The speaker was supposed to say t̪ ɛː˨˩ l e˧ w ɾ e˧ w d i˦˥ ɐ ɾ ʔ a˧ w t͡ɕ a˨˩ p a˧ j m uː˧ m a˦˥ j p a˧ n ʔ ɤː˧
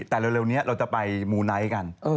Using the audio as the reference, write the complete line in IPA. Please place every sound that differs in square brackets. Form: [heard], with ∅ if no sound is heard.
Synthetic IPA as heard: t̪ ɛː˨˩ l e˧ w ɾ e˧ w [n] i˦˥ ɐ ɾ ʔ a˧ w t͡ɕ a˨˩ p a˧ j m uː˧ [n] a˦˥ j [k] a˧ n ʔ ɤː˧